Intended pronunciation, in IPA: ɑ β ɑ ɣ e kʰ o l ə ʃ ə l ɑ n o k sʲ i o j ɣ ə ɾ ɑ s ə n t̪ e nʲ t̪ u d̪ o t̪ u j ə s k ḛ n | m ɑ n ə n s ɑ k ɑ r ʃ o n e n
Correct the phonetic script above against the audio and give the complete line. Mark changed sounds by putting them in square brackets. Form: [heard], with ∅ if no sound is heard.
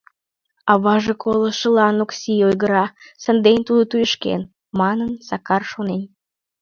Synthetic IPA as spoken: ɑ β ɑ [ʒ] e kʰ o l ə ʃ ə l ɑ n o k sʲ i o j ɣ ə ɾ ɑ s ə n [d̪] e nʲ t̪ u d̪ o t̪ u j ə [ʃ] k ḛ n | m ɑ n ə n s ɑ k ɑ r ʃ o n e n